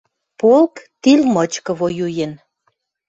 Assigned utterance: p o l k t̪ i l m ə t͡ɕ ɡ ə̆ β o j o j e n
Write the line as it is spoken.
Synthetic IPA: p o l k t̪ i l m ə t͡ɕ k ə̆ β o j u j e n